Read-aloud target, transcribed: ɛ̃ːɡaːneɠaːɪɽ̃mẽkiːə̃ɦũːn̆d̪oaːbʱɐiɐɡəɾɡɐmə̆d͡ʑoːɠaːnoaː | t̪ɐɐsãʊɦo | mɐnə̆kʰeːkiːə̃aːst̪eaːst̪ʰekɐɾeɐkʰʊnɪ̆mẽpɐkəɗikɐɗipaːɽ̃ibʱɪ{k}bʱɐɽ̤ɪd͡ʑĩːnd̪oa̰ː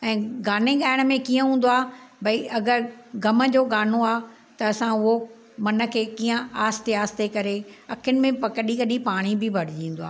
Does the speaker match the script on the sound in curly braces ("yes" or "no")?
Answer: no